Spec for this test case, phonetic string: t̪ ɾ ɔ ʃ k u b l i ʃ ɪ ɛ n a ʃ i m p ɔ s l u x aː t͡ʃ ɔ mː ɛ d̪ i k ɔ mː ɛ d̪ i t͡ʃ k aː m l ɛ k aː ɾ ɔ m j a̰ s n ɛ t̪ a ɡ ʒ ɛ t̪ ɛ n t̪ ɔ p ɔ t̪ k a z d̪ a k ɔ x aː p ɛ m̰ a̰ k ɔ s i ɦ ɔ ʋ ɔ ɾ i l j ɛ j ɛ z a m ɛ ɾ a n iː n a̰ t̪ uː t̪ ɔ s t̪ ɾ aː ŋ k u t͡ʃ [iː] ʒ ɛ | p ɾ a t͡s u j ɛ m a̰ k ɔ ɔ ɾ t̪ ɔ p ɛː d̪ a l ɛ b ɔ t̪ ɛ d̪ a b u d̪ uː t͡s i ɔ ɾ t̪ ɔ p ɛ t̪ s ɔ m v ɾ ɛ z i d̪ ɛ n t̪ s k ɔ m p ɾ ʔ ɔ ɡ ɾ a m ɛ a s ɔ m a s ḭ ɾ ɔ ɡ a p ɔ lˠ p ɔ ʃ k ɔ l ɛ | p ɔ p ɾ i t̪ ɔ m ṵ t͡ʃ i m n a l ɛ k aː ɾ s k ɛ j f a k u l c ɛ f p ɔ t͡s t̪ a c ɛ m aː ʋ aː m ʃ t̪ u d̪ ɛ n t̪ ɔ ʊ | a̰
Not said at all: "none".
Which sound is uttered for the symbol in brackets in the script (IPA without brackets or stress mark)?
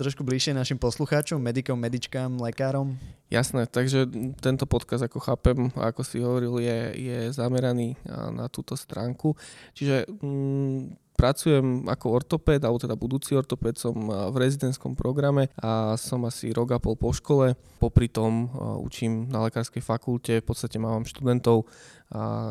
i